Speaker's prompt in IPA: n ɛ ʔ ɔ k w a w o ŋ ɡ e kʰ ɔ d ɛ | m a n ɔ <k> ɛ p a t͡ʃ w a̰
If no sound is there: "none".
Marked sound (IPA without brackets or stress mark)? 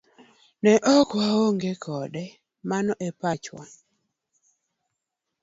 ʔ